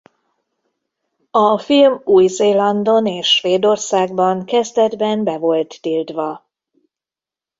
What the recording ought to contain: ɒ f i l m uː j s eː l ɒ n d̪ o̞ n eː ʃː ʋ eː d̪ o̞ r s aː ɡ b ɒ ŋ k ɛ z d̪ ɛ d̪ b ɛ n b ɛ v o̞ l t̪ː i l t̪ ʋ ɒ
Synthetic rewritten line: ɒ f i l m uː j z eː l ɒ n d̪ o̞ n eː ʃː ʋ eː d̪ o̞ r s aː ɡ b ɒ ŋ k ɛ z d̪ ɛ d̪ b ɛ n b ɛ v o̞ l t̪ː i l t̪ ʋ ɒ